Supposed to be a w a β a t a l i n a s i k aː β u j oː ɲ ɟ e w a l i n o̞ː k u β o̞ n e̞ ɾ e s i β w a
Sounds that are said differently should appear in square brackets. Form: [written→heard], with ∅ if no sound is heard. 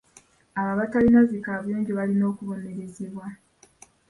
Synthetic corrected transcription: a [w→β] a β a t a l i n a [s→z] i k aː β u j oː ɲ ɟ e [w→β] a l i n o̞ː k u β o̞ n e̞ ɾ e [s→z] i β w a